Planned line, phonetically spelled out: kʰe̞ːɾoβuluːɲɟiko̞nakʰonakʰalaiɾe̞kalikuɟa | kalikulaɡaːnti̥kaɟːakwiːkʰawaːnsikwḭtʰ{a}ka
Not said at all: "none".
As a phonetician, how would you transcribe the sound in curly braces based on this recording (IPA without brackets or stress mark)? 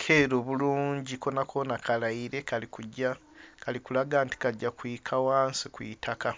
a